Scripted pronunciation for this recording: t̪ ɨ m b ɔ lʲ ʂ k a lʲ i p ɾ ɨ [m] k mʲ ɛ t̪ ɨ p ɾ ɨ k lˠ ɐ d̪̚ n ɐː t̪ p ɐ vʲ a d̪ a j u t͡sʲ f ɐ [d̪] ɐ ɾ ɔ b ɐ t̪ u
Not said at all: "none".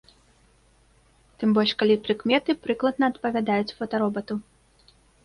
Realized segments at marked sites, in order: none, t̪

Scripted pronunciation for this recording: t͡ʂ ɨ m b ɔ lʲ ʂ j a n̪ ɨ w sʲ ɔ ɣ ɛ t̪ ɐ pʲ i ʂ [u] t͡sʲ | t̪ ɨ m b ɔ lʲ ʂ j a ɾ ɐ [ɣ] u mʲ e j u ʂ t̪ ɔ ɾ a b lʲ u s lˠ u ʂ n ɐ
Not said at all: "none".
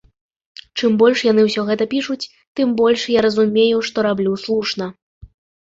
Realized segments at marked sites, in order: u, z

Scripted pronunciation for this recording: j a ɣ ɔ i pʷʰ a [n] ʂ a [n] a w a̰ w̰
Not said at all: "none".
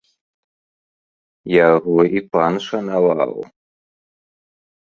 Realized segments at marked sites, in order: n, n

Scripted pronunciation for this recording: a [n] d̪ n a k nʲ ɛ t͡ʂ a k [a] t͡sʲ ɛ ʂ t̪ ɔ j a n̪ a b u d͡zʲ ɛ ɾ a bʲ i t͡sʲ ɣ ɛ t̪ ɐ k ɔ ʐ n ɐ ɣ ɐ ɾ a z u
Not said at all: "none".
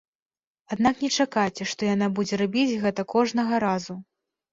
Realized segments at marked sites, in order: none, a

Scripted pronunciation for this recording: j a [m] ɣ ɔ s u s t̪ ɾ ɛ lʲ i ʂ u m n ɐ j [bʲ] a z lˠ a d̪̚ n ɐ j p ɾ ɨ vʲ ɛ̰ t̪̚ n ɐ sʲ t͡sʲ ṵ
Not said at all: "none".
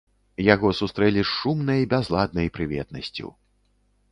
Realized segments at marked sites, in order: none, bʲ

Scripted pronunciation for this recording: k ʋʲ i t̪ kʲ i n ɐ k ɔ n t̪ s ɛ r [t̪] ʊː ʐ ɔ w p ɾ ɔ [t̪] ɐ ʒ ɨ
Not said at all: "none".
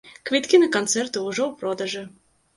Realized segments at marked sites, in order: t̪, d̪

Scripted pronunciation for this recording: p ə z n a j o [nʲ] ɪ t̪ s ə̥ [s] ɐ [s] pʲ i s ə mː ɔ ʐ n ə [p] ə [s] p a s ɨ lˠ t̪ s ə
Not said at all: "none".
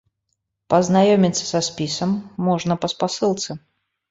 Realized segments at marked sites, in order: mʲ, s, s, p, s

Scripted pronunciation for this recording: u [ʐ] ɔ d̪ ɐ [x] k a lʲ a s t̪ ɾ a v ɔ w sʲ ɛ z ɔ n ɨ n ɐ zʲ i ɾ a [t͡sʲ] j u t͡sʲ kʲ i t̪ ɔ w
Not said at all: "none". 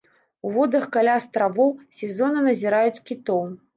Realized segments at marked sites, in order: v, x, none

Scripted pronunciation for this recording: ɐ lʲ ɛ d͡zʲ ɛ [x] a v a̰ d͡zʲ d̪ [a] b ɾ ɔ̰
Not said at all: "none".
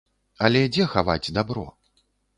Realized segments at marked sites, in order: x, a

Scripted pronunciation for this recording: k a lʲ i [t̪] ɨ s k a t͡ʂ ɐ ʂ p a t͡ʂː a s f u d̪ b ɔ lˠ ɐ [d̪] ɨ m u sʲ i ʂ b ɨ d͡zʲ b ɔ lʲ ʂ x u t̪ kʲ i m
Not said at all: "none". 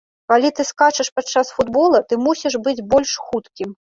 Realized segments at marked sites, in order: t̪, t̪

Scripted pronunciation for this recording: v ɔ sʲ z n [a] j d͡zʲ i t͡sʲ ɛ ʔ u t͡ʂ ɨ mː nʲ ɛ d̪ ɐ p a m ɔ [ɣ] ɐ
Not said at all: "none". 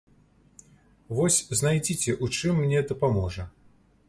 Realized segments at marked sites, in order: a, ʐ

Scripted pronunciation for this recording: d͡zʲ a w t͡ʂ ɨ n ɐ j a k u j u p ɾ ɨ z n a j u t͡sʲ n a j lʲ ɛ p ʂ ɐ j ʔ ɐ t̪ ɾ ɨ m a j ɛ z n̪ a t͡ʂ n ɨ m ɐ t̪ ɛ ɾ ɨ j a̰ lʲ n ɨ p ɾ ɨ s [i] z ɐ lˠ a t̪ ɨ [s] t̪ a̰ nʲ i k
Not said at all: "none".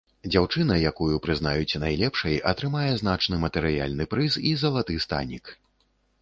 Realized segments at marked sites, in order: i, s

